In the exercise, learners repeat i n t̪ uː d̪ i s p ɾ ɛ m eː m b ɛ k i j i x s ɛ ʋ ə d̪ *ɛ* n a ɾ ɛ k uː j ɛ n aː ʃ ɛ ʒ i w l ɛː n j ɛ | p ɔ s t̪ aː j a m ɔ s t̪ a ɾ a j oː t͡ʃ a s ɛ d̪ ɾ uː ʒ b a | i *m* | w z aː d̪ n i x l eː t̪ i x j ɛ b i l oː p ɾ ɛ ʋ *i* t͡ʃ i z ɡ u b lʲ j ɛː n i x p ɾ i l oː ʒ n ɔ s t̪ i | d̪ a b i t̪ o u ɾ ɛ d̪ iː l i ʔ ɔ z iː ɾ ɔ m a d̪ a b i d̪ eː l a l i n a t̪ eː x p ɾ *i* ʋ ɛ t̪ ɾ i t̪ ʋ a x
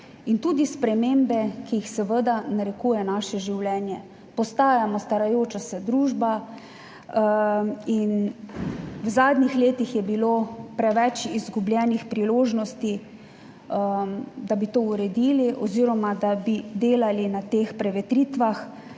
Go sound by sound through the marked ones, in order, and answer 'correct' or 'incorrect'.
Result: incorrect: a, incorrect: n, incorrect: ɛ, incorrect: ɛ

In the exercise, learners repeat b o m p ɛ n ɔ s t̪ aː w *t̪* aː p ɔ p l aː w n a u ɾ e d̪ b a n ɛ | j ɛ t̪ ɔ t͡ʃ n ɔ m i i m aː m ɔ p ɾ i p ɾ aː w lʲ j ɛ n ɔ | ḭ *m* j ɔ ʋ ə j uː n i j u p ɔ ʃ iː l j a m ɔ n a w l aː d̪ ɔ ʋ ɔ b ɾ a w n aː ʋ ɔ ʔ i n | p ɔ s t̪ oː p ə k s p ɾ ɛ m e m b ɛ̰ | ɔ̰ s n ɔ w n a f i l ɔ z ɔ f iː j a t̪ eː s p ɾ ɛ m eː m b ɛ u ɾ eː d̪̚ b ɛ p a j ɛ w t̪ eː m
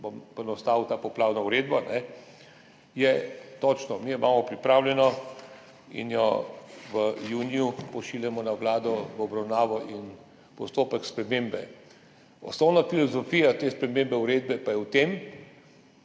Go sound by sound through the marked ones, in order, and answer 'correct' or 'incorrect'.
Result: correct, incorrect: n

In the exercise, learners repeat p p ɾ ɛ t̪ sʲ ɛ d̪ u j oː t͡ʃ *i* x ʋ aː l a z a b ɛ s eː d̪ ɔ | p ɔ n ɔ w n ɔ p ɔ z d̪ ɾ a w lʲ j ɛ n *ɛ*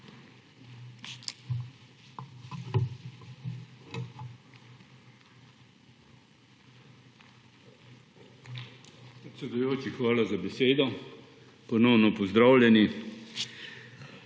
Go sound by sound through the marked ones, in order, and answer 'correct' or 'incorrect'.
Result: correct, incorrect: i

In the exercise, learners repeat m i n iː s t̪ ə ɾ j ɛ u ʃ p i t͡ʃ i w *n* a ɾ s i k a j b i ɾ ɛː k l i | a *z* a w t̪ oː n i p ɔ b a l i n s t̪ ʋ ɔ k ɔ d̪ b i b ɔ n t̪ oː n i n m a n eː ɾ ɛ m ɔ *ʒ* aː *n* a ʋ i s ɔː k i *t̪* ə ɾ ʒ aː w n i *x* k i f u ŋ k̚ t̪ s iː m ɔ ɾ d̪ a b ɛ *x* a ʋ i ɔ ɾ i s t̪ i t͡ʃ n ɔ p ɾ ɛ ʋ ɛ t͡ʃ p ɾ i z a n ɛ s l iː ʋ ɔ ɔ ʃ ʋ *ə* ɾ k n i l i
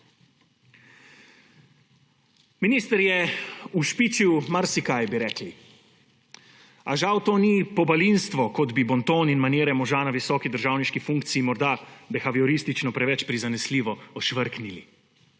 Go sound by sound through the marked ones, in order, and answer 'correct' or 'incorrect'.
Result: incorrect: m, incorrect: ʒ, correct, correct, incorrect: d̪, incorrect: ʃ, correct, correct

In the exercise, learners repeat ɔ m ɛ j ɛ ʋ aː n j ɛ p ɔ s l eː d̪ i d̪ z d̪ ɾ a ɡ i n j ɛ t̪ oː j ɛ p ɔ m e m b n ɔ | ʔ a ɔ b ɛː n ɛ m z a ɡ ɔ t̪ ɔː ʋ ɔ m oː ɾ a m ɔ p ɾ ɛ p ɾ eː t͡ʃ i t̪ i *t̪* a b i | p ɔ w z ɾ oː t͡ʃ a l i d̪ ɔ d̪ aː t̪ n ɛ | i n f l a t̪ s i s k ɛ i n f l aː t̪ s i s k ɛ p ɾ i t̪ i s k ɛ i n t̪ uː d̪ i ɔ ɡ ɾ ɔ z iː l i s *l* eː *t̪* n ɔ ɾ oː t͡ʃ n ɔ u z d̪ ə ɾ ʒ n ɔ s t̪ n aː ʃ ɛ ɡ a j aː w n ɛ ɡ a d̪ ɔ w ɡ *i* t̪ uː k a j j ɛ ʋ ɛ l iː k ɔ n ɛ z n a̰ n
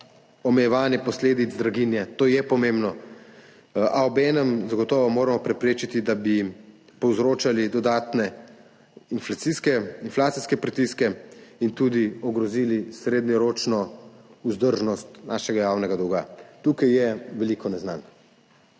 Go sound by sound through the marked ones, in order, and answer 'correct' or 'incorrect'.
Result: incorrect: d̪, incorrect: ɾ, incorrect: d̪, incorrect: a

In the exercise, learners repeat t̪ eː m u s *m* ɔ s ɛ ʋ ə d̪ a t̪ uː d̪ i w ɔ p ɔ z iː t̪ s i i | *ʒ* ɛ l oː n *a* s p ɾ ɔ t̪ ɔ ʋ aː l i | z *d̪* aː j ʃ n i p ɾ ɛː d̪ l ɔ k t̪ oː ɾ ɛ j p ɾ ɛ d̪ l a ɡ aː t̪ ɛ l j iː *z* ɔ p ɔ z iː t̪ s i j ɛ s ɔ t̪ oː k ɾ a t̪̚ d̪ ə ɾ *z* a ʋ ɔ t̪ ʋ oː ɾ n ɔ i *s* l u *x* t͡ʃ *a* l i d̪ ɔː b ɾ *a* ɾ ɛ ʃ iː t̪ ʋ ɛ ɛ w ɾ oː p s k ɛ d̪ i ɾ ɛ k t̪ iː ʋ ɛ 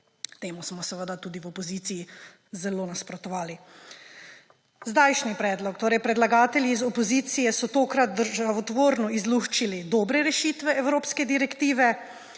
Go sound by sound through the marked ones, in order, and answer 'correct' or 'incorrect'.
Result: correct, incorrect: z, correct, correct, correct, incorrect: ʒ, incorrect: z, correct, incorrect: i, incorrect: ɛ

